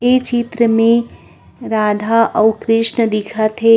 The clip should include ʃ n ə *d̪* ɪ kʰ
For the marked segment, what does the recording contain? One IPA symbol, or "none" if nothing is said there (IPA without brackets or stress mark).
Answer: d̪